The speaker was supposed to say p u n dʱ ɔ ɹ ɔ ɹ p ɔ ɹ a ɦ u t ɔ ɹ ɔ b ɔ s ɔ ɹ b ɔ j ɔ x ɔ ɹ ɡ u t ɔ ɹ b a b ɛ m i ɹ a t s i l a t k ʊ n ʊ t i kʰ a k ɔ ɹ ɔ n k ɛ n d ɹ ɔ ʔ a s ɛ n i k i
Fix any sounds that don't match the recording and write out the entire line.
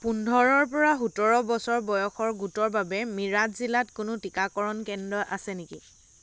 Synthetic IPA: p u n dʱ ɔ ɹ ɔ ɹ p ɔ ɹ a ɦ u t ɔ ɹ ɔ b ɔ s ɔ ɹ b ɔ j ɔ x ɔ ɹ ɡ u t ɔ ɹ b a b ɛ m i ɹ a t z i l a t k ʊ n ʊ t i k a k ɔ ɹ ɔ n k ɛ n d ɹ ɔ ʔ a s ɛ n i k i